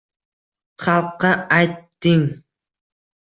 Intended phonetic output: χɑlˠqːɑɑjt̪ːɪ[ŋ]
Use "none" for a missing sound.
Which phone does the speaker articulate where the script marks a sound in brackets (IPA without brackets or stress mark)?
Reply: ŋ